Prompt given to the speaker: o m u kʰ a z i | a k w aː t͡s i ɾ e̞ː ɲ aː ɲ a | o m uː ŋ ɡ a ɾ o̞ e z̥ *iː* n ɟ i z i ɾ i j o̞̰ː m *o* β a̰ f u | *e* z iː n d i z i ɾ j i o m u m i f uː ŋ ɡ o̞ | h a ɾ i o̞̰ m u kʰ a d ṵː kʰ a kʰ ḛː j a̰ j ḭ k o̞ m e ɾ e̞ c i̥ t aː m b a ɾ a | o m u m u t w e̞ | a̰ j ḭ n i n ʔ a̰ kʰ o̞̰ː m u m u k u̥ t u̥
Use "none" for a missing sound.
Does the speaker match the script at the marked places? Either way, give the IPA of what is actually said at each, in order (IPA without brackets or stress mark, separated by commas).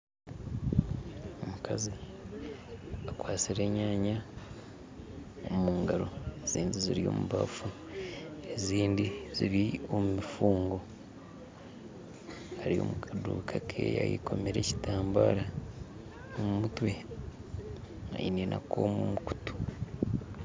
iː, u, e